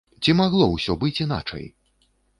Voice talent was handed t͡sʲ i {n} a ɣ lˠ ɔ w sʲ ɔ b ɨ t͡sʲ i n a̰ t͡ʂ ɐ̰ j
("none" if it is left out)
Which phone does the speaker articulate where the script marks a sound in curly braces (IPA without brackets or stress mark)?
m